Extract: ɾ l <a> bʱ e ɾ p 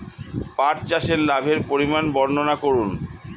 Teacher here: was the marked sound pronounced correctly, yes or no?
yes